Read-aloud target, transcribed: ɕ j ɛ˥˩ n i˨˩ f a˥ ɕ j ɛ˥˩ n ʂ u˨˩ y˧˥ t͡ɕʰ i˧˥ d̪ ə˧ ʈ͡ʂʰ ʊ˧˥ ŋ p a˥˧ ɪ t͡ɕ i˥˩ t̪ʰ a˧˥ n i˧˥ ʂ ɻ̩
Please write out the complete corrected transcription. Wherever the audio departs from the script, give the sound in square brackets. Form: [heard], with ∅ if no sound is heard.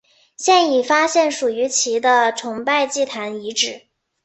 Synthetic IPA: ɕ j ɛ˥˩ n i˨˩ f a˥ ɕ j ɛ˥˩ n ʂ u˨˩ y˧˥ t͡ɕʰ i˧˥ d̪ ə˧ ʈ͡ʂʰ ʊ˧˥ ŋ p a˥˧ ɪ t͡ɕ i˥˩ t̪ʰ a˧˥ n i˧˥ [ʈ͡ʂ] ɻ̩